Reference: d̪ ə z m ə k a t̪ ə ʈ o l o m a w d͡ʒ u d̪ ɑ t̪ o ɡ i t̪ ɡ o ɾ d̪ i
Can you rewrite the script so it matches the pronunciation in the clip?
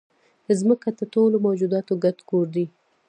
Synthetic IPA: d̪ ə z m ə k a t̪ ə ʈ o l o m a w d͡ʒ u d̪ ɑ t̪ o ɡ a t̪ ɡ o ɾ d̪ i